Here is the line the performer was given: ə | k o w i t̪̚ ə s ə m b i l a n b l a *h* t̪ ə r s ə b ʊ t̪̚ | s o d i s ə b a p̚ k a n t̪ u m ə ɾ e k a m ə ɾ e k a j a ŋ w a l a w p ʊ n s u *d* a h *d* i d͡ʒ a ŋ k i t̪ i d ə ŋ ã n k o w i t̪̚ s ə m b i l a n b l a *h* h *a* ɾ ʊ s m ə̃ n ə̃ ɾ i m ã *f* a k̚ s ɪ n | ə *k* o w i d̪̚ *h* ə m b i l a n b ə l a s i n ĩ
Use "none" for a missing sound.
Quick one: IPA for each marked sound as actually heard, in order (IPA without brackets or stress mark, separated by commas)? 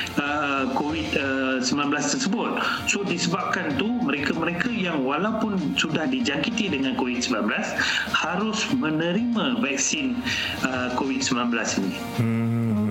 s, d, d, s, a, v, k, s